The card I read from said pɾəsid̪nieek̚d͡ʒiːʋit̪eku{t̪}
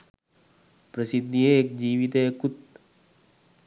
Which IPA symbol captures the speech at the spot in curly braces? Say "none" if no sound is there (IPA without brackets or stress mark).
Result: t̪